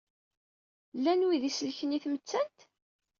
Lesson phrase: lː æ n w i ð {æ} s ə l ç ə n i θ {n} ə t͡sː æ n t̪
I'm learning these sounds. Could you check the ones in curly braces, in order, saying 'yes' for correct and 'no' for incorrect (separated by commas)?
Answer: no, no